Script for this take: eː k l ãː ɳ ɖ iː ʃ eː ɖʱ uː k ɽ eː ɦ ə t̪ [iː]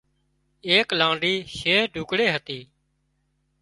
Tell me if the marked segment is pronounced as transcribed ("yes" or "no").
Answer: yes